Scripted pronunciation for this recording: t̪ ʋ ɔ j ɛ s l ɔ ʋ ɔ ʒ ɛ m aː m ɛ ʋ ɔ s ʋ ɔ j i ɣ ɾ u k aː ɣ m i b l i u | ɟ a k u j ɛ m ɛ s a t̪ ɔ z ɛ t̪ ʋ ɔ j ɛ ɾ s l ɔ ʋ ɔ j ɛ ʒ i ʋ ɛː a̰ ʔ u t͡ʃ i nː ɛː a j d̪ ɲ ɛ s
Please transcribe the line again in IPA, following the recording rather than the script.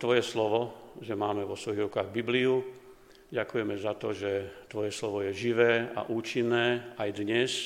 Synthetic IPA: t̪ ʋ ɔ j ɛ s l ɔ ʋ ɔ ʒ ɛ m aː m ɛ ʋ ɔ s ʋ ɔ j i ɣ ɾ u k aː ɣ b i b l i u | ɟ a k u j ɛ m ɛ z a t̪ ɔ ʒ ɛ t̪ ʋ ɔ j ɛ s l ɔ ʋ ɔ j ɛ ʒ i ʋ ɛː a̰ ʔ uː t͡ʃ i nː ɛː a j d̪ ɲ ɛ s